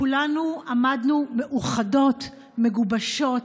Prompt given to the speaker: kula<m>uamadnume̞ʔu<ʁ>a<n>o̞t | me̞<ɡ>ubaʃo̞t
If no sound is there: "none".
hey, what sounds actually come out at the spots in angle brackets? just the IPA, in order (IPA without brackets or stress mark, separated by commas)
n, χ, d, ɡ